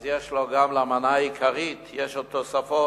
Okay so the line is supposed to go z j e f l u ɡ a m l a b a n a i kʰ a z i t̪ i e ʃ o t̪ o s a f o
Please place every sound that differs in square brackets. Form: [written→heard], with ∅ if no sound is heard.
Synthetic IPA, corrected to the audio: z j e [f→ʃ] l [u→o] ɡ a m l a [b→m] a n a i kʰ a [z→ʁ] i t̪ [i→j] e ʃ o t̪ o s a f o